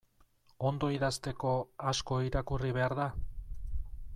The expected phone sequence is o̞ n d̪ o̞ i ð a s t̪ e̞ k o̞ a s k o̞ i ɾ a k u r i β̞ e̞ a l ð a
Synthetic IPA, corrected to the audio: o̞ n d̪ o̞ i ð a s t̪ e̞ k o̞ a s k o̞ i ɾ a k u r i β̞ e̞ a ɾ ð a